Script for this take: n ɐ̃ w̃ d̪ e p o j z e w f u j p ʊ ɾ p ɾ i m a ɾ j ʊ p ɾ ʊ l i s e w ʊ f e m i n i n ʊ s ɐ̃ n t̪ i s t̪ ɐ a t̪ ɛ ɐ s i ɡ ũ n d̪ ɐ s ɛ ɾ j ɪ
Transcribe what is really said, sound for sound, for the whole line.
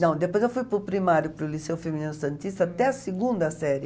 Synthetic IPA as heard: n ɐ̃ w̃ d̪ e p o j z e w f u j p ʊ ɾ p ɾ i m a ɾ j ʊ p ɾ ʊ l i s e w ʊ f e m i n i n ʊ s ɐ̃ n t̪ i s t̪ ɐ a t̪ ɛ ɐ s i ɡ ũ n d̪ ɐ s ɛ ɾ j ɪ

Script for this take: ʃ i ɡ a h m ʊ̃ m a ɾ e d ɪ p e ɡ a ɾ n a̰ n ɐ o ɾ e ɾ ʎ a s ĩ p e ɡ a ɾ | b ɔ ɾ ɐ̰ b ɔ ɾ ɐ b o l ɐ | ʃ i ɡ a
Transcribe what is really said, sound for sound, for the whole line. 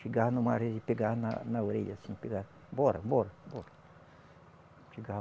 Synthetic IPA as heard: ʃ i ɡ a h n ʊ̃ m a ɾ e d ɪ p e ɡ a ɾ n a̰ n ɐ o ɾ e ʎ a s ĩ p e ɡ a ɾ | b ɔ ɾ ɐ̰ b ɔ ɾ ɐ b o ɾ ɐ | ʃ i ɡ a

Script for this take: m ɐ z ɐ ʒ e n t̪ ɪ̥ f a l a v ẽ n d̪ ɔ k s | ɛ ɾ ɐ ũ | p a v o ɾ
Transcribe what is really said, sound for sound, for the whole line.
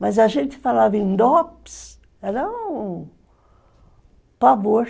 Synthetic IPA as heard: m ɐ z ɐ ʒ ẽ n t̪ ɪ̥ f a l a v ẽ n d̪ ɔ p s | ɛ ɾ ɐ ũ | p a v o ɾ

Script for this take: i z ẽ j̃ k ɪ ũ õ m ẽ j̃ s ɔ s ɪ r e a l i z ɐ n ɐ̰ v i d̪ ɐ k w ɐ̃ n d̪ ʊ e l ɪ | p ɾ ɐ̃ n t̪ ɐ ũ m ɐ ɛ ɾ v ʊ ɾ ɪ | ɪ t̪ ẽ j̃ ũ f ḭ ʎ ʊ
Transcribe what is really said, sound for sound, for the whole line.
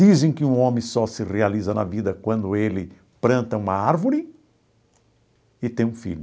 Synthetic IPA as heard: i z ẽ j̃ k ɪ ũ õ m ẽ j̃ s ɔ s ɪ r e a l i z ɐ n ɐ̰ v i d̪ ɐ k w ɐ̃ n d̪ ʊ e l ɪ | p ɾ ɐ̃ n t̪ ɐ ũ m ɐ a ɾ v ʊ ɾ ɪ | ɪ t̪ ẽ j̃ ũ f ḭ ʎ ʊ

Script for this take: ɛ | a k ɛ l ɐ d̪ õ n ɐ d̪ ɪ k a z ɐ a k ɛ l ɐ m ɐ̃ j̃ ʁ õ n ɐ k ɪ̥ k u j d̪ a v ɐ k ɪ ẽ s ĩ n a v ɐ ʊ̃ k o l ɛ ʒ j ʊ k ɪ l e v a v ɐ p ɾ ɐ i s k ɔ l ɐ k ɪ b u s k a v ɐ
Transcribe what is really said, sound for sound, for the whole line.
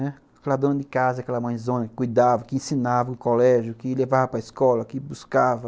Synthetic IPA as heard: ɛ | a k ɛ l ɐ d̪ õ n ɐ d̪ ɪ k a z ɐ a k ɛ l ɐ m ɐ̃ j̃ z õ n ɐ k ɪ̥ k u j d̪ a v ɐ k ɪ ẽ s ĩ n a v ɐ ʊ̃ k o l ɛ ʒ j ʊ k ɪ l e v a v ɐ p ɾ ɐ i s k ɔ l ɐ k ɪ b u s k a v ɐ

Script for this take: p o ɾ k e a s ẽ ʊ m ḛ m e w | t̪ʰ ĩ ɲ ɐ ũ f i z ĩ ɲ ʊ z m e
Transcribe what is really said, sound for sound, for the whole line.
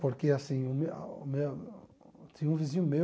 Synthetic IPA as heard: p o ɾ k e a s ĩ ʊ m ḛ m e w | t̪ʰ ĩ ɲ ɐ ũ v i z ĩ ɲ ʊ m e

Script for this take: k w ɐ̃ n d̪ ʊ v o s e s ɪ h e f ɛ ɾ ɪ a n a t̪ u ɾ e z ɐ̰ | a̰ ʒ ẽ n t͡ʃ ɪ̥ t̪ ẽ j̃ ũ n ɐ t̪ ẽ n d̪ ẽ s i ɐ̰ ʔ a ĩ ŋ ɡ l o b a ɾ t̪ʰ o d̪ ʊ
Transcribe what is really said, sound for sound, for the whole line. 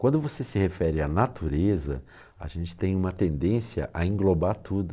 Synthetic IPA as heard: k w ɐ̃ n d̪ ʊ v o s e s ɪ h e f ɛ ɾ ɪ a n a t̪ u ɾ e z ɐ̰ | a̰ ʒ ẽ n t͡ʃ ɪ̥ t̪ ẽ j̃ ũ m ɐ t̪ ẽ n d̪ ẽ s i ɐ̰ ʔ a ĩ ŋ ɡ l o b a ɾ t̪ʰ u d̪ ʊ

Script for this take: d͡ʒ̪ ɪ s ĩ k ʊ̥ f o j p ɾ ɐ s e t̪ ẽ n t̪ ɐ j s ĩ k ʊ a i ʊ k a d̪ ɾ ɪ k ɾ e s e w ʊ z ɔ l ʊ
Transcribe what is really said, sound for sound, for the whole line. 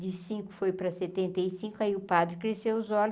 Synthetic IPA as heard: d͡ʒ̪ ɪ s ĩ k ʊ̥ f o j p ɾ ɐ s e t̪ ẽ n t̪ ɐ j s ĩ k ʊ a i ʊ p a d̪ ɾ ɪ k ɾ e s e w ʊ z ɔ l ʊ

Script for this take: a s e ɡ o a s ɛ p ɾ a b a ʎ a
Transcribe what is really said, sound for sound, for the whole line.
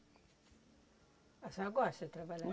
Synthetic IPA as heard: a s a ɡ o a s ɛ t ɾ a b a l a

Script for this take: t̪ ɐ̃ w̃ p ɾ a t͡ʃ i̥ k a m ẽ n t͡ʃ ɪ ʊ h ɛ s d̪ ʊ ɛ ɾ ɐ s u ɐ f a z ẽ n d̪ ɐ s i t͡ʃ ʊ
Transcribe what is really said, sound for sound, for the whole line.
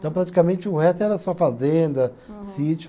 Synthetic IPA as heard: t̪ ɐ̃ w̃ p ɾ a t͡ʃ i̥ k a m ẽ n t͡ʃ ɪ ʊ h ɛ s t̪ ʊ ɛ ɾ ɐ s u ɐ f a z ẽ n d̪ ɐ s i t͡ʃ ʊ

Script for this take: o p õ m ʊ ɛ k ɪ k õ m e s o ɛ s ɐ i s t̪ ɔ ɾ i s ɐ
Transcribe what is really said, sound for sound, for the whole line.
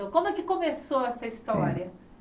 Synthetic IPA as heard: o k õ m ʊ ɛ k ɪ k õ m e s o ɛ s ɐ i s t̪ ɔ ɾ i ɐ

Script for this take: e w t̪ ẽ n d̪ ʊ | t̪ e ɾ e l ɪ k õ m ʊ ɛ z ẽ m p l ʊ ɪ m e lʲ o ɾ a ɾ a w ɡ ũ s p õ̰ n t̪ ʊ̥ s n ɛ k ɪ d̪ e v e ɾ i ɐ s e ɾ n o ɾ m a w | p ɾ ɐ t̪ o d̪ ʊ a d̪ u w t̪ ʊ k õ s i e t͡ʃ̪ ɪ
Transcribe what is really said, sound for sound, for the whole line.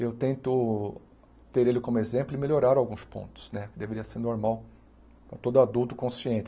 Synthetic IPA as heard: e w t̪ ẽ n t̪ ʊ | t̪ e ɾ e l ɪ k õ m ʊ e z ẽ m p l ʊ ɪ m e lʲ o ɾ a ɾ a w ɡ ũ s p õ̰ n t̪ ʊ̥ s n ɛ k ɪ d̪ e v e ɾ i ɐ s e ɾ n o ɾ m a w | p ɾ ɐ t̪ o d̪ ʊ a d̪ u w t̪ ʊ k õ s i ẽ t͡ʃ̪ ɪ

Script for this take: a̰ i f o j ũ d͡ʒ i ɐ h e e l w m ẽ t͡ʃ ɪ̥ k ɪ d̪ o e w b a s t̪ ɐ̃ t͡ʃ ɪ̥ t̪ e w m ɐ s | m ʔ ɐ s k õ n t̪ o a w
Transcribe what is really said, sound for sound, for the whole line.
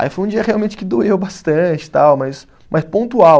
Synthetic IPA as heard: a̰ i f o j ũ d͡ʒ i ɐ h e a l w m ẽ t͡ʃ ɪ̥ k ɪ d̪ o e w b a s t̪ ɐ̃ t͡ʃ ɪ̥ t̪ a w m ɐ s | m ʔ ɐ s p õ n t̪ u a w

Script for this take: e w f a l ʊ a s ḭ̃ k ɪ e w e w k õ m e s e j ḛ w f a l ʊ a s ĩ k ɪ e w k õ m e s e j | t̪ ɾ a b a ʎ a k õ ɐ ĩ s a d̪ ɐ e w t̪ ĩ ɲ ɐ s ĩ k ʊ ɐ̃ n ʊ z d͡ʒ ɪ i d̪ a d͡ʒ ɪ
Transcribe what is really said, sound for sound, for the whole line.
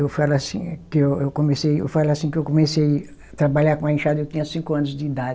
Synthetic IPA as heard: e w f a l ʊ a s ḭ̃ k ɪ e w e w k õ m e s e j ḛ w f a l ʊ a s ĩ k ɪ e w k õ m e s e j | t̪ ɾ a b a ʎ a k õ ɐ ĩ ʃ a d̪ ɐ e w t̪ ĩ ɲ ɐ s ĩ k ʊ ɐ̃ n ʊ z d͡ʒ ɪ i d̪ a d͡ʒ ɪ

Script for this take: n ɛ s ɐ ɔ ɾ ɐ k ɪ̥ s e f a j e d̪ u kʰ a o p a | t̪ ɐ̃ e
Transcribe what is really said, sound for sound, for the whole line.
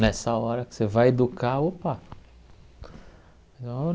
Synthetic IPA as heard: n ɛ s ɐ ɔ ɾ ɐ k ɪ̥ s e v a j e d̪ u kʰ a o p a | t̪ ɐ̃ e

